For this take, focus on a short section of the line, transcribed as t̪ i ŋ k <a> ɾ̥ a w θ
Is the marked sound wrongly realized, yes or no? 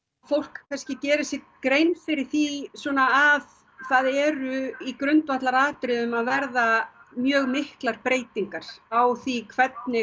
no